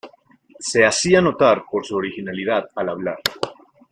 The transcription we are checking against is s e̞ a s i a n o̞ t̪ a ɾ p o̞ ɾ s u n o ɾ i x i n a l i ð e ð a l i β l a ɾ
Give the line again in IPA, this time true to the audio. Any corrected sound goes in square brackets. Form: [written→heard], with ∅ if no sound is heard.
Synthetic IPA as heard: s e̞ a s i a n o̞ t̪ a ɾ p o̞ ɾ s u [n→∅] o ɾ i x i n a l i ð [e→a] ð a l [i→a] β l a ɾ